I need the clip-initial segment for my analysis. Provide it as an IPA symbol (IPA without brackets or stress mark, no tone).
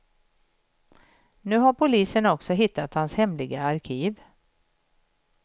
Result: n